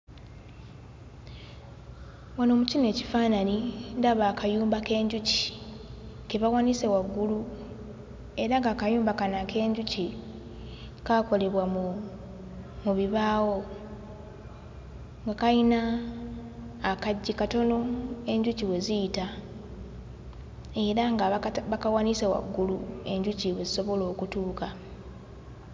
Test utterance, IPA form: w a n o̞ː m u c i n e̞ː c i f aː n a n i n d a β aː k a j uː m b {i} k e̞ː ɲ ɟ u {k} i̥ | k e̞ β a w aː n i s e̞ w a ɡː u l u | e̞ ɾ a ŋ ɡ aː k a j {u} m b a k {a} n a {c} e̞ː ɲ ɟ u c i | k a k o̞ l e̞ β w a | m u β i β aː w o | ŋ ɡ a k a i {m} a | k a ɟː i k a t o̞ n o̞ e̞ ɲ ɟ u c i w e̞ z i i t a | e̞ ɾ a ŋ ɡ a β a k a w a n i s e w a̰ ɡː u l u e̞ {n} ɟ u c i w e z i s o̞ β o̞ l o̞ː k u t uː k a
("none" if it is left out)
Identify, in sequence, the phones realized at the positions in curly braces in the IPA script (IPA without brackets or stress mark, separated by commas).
a, c, uː, a, k, n, ɲ